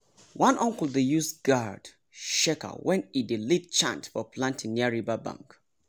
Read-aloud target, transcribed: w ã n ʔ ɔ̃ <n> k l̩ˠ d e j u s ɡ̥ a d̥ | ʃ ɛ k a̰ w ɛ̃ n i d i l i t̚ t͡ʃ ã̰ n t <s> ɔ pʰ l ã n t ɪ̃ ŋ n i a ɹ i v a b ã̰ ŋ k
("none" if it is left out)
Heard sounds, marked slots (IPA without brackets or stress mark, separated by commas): ŋ, f